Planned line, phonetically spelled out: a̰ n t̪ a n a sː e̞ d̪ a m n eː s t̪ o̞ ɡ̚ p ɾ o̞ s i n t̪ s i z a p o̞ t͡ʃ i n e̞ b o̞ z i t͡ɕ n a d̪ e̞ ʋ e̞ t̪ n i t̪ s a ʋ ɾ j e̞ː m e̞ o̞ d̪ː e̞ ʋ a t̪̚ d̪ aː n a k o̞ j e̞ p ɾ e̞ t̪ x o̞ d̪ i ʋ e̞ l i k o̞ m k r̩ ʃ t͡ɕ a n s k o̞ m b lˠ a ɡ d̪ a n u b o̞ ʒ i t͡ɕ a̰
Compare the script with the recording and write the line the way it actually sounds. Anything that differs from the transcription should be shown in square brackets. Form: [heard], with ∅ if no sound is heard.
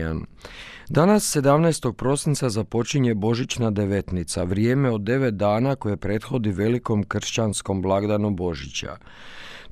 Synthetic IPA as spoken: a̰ n [d̪] a n a sː e̞ d̪ a m n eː s t̪ o̞ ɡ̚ p ɾ o̞ s i n t̪ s [a] z a p o̞ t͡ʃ i [ɲ] e̞ b o̞ [ʒ] i t͡ɕ n a d̪ e̞ ʋ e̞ t̪ n i t̪ s a ʋ ɾ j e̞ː m e̞ o̞ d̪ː e̞ ʋ [e] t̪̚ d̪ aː n a k o̞ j e̞ p ɾ e̞ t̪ x o̞ d̪ i ʋ e̞ l i k o̞ m k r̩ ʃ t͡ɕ a n s k o̞ m b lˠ a ɡ d̪ a n u b o̞ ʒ i t͡ɕ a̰